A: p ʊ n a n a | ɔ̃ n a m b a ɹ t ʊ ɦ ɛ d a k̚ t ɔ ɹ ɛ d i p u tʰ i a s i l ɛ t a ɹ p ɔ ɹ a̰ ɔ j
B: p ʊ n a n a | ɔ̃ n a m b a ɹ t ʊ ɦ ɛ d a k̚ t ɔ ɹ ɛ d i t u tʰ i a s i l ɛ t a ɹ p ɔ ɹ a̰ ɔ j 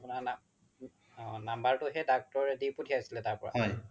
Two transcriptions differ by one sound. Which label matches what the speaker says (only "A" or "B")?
A